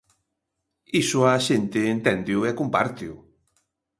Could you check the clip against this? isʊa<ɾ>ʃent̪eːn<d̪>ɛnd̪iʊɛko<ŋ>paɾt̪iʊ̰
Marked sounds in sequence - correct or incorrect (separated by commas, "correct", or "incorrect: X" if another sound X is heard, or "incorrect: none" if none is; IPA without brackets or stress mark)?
incorrect: none, incorrect: t̪, incorrect: m